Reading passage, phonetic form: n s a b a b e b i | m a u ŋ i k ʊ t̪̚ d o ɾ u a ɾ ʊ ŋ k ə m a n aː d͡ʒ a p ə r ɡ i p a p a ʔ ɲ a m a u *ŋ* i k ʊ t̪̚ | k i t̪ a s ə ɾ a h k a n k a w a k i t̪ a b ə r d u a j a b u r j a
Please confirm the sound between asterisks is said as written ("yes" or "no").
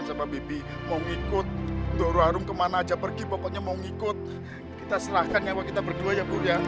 yes